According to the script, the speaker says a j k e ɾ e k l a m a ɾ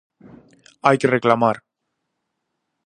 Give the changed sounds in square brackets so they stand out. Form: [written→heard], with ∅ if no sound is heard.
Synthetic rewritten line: a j k e [ɾ→r] e k l a m a ɾ